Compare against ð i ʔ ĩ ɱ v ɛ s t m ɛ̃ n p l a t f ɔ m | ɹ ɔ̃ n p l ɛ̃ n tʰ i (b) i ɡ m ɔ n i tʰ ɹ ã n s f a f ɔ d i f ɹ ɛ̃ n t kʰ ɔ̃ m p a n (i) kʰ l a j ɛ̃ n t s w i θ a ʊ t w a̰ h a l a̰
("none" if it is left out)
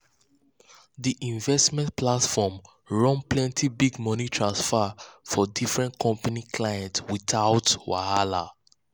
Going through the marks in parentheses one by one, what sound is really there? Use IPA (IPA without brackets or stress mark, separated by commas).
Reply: b, i